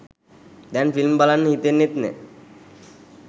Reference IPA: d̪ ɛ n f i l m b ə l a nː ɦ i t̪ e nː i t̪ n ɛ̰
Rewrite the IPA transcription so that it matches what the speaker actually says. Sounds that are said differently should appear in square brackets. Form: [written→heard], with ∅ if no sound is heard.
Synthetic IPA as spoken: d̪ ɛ n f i l m b [ə→a] l a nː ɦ i t̪ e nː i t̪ n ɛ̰